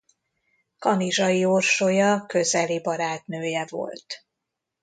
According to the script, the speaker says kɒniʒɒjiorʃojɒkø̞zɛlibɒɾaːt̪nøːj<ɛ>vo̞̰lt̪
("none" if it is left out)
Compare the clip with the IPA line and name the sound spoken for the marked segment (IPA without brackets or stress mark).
ɛ